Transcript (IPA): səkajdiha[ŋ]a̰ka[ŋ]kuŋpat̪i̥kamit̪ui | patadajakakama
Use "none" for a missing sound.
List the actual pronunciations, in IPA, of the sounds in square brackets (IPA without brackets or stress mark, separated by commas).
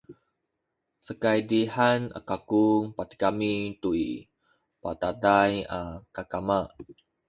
n, none